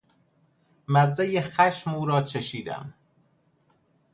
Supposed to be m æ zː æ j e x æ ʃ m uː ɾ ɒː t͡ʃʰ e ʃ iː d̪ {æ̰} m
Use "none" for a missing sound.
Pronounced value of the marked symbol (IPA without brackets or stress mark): æ̰